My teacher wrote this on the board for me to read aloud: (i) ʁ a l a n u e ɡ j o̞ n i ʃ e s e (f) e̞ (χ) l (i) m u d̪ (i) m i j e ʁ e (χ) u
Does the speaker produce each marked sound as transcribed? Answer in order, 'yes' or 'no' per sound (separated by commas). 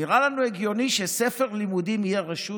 yes, yes, no, yes, yes, no